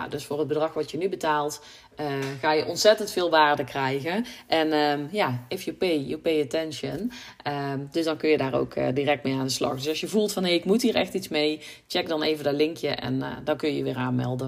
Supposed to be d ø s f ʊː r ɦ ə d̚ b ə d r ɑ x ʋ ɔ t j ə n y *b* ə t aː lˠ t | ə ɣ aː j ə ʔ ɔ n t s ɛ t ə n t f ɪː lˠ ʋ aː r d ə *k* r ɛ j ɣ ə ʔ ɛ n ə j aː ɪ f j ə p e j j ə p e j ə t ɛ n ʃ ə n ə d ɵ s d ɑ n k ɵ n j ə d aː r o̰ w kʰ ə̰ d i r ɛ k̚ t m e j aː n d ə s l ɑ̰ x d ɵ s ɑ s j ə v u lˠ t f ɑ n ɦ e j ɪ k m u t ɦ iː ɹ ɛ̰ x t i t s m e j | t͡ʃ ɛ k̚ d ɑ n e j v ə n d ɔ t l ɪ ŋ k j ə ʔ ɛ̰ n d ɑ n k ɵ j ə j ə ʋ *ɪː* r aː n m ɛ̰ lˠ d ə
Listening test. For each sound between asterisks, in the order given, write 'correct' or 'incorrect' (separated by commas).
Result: correct, correct, correct